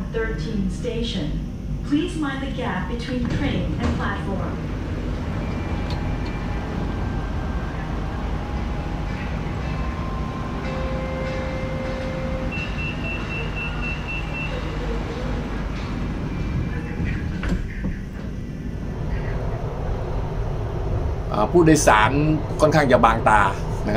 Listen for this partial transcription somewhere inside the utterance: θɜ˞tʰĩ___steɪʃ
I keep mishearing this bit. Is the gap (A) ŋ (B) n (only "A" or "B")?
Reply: B